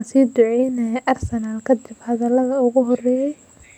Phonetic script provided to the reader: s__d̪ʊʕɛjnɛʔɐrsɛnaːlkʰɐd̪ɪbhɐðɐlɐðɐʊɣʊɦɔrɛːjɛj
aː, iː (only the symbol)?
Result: iː